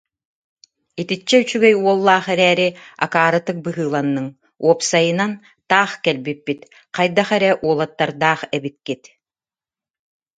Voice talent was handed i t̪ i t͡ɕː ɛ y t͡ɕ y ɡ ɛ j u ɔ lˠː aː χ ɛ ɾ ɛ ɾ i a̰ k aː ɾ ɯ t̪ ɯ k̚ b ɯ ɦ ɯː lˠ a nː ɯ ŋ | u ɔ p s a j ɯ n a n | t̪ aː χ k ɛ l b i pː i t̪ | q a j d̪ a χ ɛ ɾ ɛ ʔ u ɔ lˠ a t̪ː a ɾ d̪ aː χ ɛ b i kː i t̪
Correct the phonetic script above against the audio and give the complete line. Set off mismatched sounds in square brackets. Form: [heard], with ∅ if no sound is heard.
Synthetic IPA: i t̪ i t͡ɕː ɛ y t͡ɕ y ɡ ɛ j u ɔ lˠː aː χ ɛ ɾ [ɛː] ɾ i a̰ k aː ɾ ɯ t̪ ɯ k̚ b ɯ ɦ ɯː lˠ a nː ɯ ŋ | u ɔ p s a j ɯ n a n | t̪ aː χ k ɛ l b i pː i t̪ | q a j d̪ a χ ɛ ɾ ɛ ʔ u ɔ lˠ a t̪ː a ɾ d̪ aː χ ɛ b i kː i t̪